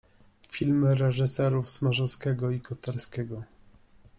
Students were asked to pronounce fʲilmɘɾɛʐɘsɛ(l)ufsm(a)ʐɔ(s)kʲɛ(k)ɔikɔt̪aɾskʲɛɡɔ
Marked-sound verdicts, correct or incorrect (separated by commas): incorrect, correct, correct, incorrect